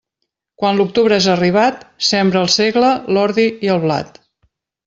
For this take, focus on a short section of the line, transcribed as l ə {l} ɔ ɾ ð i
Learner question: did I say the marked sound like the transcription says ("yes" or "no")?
yes